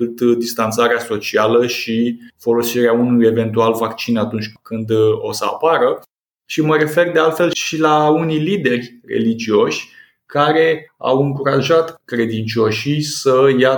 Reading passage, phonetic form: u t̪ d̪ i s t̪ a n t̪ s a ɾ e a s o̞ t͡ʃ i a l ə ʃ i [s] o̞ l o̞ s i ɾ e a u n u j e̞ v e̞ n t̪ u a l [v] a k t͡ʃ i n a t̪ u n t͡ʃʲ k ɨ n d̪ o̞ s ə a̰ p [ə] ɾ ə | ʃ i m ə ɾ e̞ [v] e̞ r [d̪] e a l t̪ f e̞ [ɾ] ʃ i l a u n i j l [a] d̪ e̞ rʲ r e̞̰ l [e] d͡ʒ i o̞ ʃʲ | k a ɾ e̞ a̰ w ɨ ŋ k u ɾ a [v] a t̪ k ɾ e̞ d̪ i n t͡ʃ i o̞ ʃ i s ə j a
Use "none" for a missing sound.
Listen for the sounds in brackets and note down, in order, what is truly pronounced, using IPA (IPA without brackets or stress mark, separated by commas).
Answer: f, v, a, f, d̪, l, i, i, ʒ